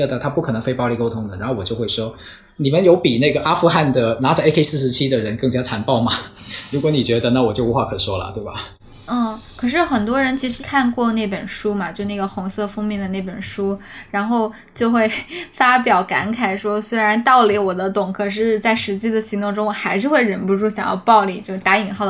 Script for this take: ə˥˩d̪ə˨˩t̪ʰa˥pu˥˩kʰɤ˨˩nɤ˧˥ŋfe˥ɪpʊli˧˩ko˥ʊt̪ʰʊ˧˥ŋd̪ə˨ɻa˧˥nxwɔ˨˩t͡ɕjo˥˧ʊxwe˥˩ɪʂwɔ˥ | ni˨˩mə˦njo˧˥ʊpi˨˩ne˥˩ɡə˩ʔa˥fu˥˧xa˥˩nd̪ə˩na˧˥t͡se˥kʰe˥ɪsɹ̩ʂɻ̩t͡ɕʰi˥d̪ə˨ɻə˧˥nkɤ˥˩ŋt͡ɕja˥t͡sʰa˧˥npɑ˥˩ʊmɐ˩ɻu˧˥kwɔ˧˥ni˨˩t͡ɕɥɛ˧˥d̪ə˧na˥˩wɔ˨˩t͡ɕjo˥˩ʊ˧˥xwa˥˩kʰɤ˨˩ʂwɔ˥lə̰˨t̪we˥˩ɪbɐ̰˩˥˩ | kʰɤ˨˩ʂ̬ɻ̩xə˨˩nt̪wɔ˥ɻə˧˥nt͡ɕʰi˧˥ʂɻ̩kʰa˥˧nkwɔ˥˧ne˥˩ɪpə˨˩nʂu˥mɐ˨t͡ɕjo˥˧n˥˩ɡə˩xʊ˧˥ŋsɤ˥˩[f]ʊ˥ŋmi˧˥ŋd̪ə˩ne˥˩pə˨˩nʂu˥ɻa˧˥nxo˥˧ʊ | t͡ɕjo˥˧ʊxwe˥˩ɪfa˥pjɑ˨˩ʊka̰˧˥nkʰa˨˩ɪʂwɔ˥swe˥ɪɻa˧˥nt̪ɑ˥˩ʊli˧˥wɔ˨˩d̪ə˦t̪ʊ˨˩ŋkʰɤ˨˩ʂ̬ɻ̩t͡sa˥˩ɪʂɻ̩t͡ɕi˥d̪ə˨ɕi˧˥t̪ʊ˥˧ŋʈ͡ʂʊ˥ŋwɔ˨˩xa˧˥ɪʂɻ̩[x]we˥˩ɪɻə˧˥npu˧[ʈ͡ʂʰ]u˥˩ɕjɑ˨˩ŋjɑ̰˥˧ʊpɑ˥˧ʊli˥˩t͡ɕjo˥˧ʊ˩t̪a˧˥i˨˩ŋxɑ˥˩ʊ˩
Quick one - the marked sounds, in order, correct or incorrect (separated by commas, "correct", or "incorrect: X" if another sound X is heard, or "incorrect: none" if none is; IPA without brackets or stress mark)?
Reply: correct, correct, incorrect: ʈ͡ʂ